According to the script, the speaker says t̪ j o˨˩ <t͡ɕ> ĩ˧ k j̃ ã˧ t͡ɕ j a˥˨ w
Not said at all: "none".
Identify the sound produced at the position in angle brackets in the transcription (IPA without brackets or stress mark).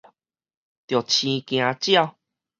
t͡ɕʰ